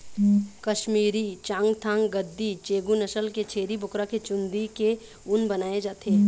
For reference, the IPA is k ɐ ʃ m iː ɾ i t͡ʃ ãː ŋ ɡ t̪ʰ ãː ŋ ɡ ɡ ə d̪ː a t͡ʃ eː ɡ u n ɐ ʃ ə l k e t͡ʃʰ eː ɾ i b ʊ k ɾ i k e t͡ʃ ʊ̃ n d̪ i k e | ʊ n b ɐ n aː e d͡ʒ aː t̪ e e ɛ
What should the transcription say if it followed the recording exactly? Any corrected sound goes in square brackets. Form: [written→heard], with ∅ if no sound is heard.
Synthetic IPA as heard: k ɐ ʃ m iː ɾ i t͡ʃ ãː ŋ ɡ t̪ʰ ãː ŋ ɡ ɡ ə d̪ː [a→i] t͡ʃ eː ɡ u n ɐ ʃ ə l k e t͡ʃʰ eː ɾ i b ʊ k ɾ [i→a] k e t͡ʃ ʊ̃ n d̪ i k e | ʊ n b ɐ n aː e d͡ʒ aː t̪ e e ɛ